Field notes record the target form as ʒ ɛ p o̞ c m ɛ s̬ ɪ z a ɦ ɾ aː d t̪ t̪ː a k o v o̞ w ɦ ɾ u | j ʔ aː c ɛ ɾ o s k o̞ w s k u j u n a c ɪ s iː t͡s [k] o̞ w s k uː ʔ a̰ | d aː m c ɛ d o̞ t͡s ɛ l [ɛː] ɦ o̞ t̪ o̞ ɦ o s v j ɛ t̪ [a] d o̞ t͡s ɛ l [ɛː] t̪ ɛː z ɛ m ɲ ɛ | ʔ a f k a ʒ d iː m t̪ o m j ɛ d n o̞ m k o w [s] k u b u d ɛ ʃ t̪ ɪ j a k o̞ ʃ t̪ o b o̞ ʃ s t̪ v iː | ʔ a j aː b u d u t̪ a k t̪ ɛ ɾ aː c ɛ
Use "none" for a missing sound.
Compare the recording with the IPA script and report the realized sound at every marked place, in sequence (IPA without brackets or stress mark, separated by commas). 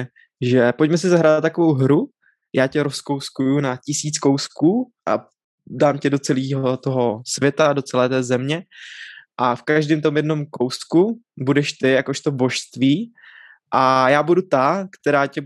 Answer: k, iː, a, ɛː, s